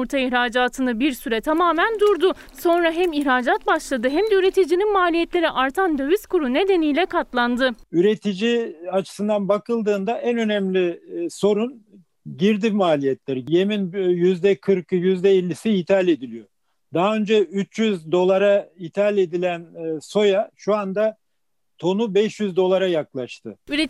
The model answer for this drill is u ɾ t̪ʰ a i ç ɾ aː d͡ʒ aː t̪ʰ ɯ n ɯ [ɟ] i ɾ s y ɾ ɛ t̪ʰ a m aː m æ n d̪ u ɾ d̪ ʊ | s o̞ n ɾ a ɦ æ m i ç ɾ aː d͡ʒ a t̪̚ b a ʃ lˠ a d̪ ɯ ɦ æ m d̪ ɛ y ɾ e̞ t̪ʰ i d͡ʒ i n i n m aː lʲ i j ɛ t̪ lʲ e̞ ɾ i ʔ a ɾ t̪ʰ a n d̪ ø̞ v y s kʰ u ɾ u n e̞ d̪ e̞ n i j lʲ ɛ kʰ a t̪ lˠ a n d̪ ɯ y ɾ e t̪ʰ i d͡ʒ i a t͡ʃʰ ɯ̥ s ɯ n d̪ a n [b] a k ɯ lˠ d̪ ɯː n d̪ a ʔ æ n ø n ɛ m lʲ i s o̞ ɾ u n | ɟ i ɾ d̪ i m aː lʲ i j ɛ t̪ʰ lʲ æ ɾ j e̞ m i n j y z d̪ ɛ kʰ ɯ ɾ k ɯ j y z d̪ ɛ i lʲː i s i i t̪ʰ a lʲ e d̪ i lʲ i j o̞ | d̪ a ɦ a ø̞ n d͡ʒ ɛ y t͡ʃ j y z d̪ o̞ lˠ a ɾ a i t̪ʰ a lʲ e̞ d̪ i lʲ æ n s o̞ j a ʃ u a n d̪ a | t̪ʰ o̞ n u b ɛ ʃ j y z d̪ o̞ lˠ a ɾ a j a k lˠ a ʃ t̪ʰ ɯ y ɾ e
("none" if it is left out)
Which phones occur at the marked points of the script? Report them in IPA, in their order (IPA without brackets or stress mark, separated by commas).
b, b